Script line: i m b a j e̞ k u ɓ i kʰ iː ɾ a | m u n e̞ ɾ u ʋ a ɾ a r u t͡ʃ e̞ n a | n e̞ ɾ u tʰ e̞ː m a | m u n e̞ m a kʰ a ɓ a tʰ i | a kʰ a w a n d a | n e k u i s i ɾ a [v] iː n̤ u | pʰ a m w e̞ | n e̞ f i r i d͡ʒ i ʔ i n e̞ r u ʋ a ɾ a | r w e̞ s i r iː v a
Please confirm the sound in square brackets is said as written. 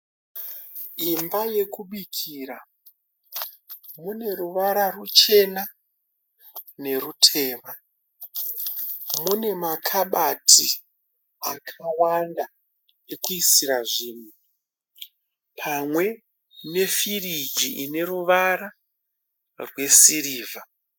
no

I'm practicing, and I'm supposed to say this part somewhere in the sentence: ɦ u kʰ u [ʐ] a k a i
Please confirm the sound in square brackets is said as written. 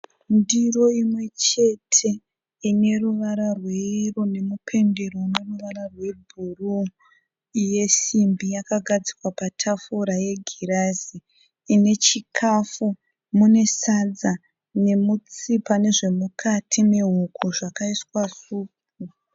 yes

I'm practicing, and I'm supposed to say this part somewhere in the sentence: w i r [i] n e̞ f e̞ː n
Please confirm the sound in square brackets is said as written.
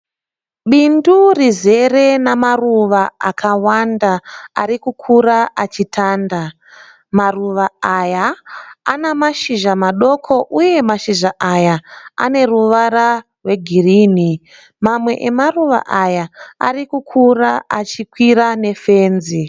no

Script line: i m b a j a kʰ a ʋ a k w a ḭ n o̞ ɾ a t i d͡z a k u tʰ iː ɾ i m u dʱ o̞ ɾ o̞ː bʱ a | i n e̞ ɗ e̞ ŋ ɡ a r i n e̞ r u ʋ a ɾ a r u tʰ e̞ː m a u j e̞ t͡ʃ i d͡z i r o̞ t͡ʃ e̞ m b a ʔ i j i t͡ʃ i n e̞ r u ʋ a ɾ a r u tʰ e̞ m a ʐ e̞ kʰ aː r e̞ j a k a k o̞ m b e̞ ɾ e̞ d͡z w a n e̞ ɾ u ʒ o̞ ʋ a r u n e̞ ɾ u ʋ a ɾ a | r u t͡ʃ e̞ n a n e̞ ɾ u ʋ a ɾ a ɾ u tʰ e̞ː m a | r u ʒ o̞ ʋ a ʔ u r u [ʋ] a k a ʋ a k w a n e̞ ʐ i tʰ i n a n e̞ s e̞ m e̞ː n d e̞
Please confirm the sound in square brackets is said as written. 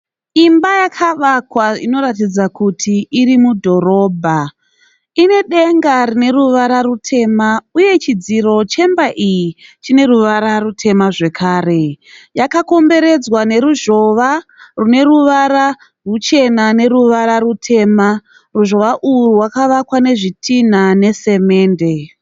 no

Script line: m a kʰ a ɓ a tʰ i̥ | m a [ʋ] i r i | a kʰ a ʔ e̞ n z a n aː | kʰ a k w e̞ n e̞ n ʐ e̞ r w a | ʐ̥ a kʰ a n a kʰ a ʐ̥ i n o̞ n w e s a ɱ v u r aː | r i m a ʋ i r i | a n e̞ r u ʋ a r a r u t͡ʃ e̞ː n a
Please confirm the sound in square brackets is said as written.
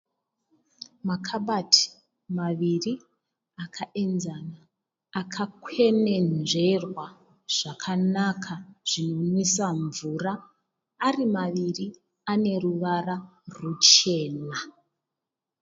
yes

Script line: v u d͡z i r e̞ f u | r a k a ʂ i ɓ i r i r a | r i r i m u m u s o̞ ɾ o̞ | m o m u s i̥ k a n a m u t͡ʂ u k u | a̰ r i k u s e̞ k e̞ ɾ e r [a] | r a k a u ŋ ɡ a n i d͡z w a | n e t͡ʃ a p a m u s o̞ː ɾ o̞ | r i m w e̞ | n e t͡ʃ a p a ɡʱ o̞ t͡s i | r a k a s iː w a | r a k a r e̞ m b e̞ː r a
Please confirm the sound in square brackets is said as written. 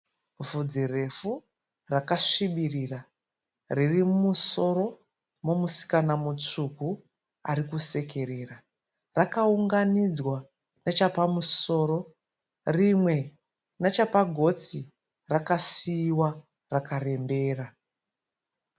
yes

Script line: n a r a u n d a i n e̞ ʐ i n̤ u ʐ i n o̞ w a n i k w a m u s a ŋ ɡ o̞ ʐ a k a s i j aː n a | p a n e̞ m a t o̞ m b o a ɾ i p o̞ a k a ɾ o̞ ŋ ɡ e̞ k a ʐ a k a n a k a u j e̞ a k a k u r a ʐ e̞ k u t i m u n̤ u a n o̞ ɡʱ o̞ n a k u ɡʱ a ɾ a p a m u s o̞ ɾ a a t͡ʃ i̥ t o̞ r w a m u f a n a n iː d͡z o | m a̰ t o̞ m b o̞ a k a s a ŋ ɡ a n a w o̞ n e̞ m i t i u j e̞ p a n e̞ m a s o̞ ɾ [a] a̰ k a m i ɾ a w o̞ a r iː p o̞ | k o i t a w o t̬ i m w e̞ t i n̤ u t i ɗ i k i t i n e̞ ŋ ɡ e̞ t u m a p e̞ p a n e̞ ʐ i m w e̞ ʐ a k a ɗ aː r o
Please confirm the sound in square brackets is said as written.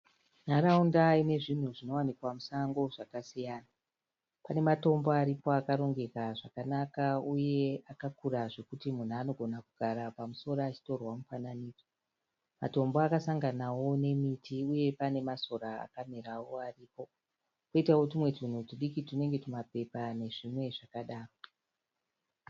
yes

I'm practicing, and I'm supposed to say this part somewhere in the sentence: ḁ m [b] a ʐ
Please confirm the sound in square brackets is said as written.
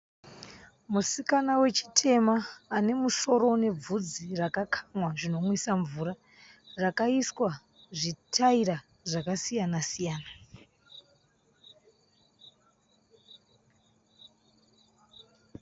no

